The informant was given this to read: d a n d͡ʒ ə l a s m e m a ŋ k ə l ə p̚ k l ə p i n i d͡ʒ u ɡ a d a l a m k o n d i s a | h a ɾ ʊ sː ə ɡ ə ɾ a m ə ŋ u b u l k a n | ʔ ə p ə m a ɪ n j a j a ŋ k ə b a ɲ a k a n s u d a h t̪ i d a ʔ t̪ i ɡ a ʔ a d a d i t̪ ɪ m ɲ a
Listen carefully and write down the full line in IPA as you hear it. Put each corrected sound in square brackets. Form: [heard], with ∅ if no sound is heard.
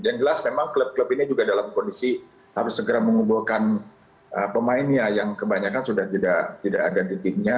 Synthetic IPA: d a n d͡ʒ ə l a s m e m a ŋ k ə l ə p̚ k l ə p i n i d͡ʒ u ɡ a d a l a m k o n d i s [i] | h a ɾ ʊ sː ə ɡ ə ɾ a m ə ŋ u b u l k a n | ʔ ə p ə m a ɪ n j a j a ŋ k ə b a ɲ a k a n s u d a h t̪ i d a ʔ t̪ i [d] a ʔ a d a d i t̪ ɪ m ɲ a